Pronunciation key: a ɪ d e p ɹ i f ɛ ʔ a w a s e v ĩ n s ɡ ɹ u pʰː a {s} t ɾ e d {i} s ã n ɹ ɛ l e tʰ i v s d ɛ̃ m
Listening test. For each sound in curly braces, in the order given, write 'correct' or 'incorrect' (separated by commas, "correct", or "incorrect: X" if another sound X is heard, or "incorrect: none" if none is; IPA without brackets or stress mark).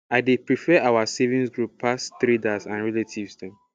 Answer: correct, incorrect: a